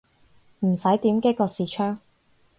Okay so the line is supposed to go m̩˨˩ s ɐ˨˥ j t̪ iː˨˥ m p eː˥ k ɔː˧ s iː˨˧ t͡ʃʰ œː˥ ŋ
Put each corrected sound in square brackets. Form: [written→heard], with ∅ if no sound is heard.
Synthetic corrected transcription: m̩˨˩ s ɐ˨˥ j t̪ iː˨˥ m [p→k] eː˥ k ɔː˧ s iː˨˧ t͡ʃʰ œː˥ ŋ